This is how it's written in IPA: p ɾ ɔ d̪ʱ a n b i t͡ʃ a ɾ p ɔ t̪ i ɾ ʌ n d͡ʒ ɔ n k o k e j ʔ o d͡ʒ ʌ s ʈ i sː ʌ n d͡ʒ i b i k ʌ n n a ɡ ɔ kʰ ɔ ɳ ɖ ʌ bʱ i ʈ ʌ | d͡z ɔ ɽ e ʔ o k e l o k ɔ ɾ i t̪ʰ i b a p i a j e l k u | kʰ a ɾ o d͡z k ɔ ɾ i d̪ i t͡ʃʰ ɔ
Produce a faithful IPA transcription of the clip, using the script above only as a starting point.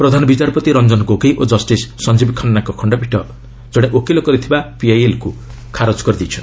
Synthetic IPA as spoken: p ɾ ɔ d̪ʱ a n b i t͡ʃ a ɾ p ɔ t̪ i ɾ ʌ n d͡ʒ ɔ n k o k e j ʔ o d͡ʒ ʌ s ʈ i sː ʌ n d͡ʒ i b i kʰ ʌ n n a k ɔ kʰ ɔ ɳ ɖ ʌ bʱ i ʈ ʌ | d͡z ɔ ɽ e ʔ o k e l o k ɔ ɾ i t̪ʰ i b a p i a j e l k u | kʰ a ɾ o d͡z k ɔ ɾ i d̪ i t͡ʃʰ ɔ